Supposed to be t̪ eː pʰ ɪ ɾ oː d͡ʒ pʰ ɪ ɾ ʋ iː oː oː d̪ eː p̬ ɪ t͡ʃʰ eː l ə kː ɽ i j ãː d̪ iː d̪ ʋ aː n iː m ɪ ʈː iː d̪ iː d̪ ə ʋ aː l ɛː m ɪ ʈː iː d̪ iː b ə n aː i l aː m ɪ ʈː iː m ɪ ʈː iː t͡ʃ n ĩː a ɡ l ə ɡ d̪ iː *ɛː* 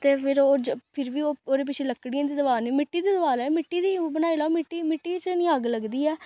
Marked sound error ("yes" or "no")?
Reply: no